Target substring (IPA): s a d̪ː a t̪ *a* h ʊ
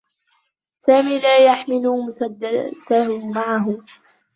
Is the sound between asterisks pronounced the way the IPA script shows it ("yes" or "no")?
yes